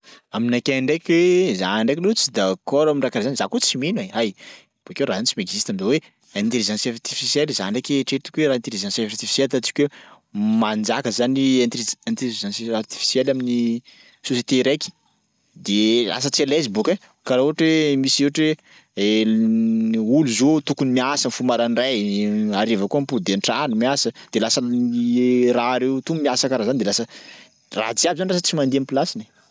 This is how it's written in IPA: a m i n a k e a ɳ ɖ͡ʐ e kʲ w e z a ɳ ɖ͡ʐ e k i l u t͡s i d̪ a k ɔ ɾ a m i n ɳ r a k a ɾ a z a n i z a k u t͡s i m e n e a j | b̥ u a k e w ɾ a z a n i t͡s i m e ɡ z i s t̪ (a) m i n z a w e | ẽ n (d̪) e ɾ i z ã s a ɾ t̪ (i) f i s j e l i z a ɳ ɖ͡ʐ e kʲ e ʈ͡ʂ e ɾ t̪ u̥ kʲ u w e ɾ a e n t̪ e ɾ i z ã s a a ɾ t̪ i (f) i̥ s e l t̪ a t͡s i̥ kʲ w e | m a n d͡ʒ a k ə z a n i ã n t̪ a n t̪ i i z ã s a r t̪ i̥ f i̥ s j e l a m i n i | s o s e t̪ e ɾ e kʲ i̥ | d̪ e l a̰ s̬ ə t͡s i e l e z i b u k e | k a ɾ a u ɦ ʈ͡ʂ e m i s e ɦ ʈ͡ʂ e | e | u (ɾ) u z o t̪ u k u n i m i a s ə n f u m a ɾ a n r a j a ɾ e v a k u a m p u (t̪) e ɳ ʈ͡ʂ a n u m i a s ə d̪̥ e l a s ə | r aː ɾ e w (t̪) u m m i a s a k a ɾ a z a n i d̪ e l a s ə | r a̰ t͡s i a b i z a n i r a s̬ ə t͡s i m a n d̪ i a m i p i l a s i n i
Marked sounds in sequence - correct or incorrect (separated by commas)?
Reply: correct, incorrect, correct, correct, incorrect, incorrect, correct